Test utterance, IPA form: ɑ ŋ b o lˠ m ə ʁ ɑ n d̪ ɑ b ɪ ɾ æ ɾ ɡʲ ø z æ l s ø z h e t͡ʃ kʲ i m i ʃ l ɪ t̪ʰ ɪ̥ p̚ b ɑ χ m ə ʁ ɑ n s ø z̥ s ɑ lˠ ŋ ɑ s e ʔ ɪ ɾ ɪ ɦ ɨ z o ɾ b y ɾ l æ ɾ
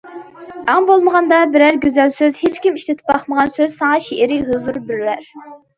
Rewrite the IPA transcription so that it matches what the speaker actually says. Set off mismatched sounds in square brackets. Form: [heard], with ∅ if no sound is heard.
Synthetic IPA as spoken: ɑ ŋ b o lˠ m ə ʁ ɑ n d̪ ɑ b ɪ ɾ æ ɾ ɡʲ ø z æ l s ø z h e t͡ʃ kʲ i m i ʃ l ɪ t̪ʰ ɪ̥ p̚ b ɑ χ m ə ʁ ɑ n s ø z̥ s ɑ [∅] ŋ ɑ [ʃ] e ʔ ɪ ɾ ɪ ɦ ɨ z [u] ɾ b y ɾ l æ ɾ